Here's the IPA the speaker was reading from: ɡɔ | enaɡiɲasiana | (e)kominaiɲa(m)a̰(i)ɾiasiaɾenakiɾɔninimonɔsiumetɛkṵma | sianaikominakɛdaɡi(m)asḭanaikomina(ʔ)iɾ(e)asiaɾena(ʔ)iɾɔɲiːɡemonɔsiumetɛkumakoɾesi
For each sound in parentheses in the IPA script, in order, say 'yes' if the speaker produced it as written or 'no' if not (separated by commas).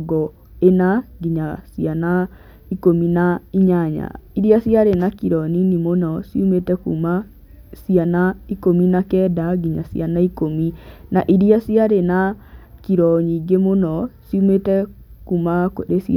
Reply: no, no, yes, no, yes, no, no